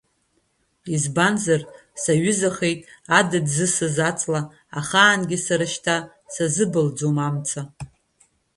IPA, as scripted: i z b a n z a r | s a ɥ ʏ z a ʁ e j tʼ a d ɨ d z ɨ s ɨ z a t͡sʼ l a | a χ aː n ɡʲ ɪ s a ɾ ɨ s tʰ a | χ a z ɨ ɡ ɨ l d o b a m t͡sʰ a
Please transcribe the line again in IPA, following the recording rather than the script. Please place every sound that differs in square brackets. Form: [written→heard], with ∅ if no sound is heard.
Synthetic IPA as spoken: i z b a n z a r | s a ɥ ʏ z a [ʁ→χ] e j tʼ a d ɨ d z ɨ s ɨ z a t͡sʼ l a | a χ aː n ɡʲ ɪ s a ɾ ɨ [s→ʃ] tʰ a | [χ→s] a z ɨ [ɡ→b] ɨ l [d→d͡z] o [b→m] a m t͡sʰ a